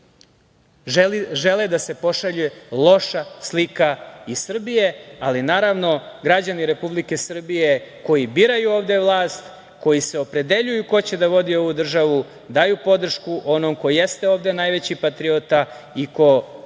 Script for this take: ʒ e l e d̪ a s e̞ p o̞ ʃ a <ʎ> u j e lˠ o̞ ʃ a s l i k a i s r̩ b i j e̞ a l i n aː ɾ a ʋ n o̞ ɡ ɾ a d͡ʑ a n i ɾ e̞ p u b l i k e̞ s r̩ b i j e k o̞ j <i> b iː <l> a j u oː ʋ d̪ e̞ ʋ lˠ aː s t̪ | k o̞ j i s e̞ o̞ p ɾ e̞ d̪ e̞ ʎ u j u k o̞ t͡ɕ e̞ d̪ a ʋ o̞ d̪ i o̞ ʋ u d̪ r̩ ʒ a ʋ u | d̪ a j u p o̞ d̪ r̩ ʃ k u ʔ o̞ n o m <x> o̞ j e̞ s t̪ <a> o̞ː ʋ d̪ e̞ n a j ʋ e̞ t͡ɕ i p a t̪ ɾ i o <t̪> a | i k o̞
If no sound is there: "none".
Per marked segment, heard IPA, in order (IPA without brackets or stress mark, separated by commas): ʎ, i, ɾ, k, e, t̪